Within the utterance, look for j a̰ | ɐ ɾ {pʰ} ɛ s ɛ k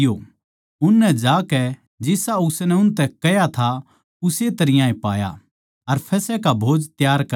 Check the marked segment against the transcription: correct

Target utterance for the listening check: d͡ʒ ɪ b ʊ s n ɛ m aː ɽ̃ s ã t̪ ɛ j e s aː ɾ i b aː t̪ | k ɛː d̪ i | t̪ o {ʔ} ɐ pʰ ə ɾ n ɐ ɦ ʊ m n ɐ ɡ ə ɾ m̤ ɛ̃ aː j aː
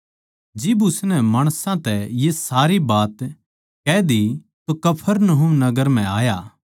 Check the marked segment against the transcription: incorrect: k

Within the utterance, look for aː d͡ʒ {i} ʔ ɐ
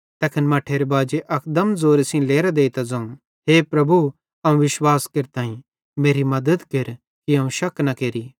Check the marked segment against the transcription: incorrect: e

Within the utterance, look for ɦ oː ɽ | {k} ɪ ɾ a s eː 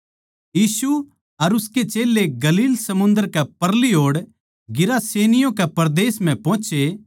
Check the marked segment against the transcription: incorrect: ɡ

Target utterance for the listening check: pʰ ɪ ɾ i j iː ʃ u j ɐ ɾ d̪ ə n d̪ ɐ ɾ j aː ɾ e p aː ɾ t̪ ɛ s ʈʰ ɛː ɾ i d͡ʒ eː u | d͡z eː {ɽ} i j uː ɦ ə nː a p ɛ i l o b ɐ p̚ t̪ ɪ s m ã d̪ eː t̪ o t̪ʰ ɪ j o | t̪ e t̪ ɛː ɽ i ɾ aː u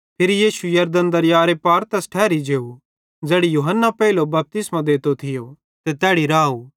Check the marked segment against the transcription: correct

